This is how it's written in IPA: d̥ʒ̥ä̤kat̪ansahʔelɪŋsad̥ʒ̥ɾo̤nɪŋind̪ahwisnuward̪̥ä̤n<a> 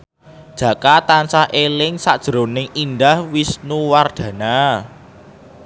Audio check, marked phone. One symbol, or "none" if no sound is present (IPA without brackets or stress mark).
a